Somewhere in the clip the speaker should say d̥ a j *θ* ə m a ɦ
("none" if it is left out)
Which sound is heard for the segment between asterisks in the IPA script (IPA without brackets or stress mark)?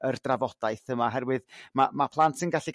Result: θ